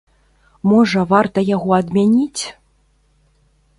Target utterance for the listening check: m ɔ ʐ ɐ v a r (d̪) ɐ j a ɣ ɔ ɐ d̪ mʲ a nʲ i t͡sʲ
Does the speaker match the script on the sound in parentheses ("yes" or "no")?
no